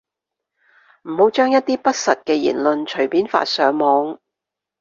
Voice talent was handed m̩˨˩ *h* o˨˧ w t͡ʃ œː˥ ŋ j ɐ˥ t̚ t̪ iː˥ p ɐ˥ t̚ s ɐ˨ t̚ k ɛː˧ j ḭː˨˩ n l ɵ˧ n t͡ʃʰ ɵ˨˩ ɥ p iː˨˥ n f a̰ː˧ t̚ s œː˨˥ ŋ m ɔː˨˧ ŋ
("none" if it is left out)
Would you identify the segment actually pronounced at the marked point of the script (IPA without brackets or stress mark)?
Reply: h